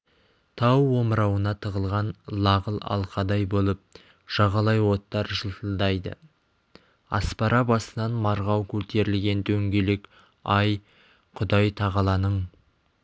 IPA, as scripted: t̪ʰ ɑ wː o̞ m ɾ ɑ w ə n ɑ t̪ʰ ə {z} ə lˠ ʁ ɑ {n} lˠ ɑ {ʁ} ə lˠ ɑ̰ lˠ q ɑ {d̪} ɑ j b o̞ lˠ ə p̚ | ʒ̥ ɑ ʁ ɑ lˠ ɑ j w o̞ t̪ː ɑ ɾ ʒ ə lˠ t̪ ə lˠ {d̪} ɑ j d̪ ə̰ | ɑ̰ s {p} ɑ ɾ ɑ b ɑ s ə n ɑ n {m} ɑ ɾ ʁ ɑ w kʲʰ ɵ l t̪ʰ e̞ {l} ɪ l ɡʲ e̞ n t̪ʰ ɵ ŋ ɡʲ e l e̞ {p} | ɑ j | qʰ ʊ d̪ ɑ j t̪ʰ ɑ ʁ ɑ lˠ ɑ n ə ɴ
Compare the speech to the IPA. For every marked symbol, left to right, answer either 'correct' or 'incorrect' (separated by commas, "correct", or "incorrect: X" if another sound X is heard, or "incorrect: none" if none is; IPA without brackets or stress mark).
incorrect: ʁ, correct, correct, correct, correct, correct, correct, incorrect: ɾ, incorrect: k